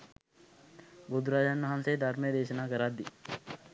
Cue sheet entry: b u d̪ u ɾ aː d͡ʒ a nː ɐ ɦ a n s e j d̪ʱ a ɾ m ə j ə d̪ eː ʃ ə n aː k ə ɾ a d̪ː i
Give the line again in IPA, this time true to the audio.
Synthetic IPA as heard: b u d̪ u ɾ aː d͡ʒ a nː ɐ ɦ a n s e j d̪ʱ a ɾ m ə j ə d̪ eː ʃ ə n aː k ə ɾ a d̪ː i